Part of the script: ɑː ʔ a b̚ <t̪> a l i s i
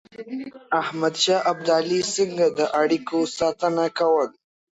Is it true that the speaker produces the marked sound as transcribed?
no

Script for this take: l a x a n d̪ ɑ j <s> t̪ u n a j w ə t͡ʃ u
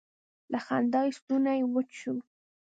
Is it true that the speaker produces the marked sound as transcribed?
yes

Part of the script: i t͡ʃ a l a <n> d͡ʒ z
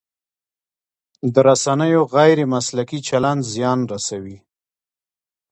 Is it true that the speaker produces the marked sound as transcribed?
yes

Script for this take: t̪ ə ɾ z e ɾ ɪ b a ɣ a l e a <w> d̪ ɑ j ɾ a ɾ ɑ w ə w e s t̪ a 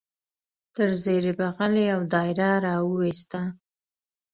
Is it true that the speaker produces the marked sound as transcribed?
yes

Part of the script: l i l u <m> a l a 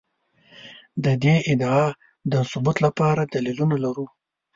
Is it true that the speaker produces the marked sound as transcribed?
no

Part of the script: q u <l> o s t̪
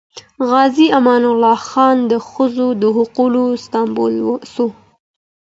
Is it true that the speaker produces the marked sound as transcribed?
yes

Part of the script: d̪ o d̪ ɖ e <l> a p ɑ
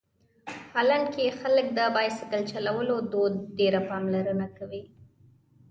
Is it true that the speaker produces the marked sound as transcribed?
no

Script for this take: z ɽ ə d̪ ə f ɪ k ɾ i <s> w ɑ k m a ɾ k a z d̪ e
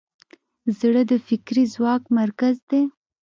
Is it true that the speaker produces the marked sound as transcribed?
no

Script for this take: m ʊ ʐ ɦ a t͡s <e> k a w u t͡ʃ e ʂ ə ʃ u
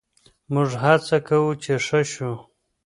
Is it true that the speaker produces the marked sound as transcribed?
no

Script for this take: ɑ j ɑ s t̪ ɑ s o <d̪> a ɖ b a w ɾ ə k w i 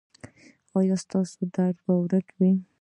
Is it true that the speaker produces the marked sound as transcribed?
yes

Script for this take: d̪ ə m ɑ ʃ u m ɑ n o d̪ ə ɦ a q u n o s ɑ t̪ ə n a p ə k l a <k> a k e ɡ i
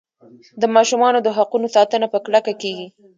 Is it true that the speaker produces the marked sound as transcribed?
yes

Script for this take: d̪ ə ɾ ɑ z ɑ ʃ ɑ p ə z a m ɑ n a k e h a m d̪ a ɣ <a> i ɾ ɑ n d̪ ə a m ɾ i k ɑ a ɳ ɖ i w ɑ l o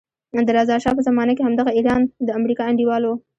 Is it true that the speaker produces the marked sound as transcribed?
yes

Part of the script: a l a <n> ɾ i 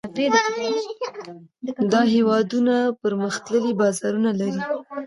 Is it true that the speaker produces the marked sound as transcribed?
no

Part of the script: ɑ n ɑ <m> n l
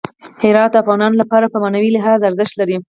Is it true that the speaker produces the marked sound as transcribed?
no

